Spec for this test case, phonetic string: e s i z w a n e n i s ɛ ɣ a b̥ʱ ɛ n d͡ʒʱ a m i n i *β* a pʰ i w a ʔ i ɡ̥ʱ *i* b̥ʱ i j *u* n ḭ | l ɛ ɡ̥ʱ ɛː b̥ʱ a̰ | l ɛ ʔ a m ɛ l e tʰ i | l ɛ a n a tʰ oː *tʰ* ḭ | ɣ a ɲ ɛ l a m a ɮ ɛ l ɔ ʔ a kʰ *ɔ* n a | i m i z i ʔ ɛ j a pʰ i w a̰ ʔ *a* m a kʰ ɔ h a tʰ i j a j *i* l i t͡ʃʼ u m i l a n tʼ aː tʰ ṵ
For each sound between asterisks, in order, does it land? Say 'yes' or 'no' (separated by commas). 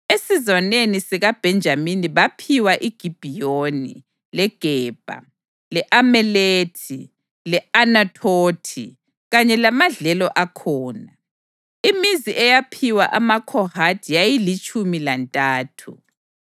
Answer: yes, yes, no, yes, no, yes, yes